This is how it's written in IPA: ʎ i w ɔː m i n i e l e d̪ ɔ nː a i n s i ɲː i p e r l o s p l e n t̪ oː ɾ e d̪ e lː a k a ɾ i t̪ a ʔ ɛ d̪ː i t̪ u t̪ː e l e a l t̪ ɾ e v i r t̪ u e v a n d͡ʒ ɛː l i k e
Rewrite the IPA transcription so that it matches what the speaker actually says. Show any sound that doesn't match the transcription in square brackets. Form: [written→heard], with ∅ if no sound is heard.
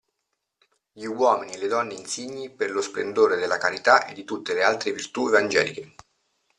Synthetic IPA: ʎ i w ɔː m i n i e l e d̪ ɔ nː [a→e] i n s i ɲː i p e r l o s p l e n [t̪→d̪] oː ɾ e d̪ e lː a k a ɾ i t̪ a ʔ [ɛ→e] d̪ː i t̪ u t̪ː e l e a l t̪ ɾ e v i r t̪ u e v a n d͡ʒ ɛː l i k e